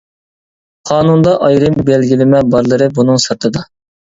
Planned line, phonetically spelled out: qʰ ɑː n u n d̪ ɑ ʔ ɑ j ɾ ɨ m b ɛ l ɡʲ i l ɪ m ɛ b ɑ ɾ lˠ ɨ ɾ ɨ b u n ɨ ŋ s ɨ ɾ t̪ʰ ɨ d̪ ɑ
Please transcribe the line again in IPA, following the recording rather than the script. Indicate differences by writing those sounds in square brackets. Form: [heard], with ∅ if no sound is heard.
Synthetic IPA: qʰ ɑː n u n d̪ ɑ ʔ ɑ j ɾ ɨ m b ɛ l ɡʲ i l ɪ m ɛ b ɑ ɾ lˠ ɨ ɾ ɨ b u n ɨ ŋ s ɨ ɾ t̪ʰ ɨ d̪ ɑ

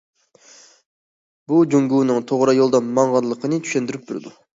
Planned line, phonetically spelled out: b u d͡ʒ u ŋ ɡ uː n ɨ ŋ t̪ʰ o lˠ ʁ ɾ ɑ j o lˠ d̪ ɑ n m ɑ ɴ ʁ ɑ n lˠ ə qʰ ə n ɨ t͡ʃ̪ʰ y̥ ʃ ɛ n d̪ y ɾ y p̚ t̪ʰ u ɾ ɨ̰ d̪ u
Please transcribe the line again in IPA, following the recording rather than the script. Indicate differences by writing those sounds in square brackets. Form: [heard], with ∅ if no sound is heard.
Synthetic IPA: b u d͡ʒ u ŋ ɡ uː n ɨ ŋ t̪ʰ o [∅] ʁ ɾ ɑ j o lˠ d̪ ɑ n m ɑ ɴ ʁ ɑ n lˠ ə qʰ ə n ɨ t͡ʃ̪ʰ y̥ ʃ ɛ n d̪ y ɾ y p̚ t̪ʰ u ɾ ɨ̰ d̪ u

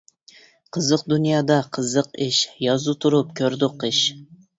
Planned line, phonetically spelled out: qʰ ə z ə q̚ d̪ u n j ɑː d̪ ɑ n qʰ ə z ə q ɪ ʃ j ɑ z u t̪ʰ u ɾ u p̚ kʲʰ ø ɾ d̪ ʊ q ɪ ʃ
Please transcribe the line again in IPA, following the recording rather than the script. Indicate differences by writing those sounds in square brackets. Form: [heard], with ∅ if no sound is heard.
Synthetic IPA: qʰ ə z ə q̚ d̪ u n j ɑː d̪ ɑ [∅] qʰ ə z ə q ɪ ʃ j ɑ z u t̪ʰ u ɾ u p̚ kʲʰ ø ɾ d̪ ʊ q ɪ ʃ

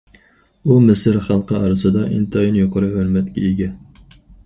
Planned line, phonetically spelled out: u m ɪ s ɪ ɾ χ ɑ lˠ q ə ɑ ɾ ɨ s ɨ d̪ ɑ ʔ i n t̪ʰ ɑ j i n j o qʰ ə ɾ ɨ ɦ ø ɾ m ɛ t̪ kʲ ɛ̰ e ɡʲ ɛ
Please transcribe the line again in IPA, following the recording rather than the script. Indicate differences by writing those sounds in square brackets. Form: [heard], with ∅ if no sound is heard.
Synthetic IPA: u m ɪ s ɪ ɾ χ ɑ lˠ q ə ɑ ɾ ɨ s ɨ d̪ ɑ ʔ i n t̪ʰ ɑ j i n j o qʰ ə ɾ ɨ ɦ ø ɾ m ɛ t̪ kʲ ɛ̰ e ɡʲ ɛ

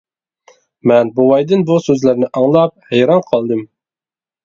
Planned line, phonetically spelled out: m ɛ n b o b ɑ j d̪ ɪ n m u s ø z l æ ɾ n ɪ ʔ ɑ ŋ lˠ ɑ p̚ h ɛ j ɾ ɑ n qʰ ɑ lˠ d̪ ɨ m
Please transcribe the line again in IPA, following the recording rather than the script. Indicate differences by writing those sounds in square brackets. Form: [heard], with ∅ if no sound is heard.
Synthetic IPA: m ɛ n b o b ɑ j d̪ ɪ n [b] u s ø z l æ ɾ n ɪ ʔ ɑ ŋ lˠ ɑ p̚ h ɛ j ɾ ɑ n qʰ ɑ lˠ d̪ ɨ m

